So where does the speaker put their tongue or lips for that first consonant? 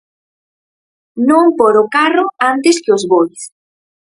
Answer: tongue tip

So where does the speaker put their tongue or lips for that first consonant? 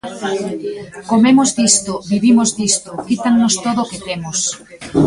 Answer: velum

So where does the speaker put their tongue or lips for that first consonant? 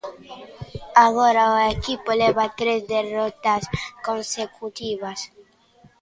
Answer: velum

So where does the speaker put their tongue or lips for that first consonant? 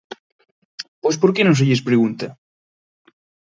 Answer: lips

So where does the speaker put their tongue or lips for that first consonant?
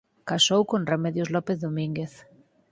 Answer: velum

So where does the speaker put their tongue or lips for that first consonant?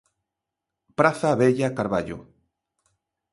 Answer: lips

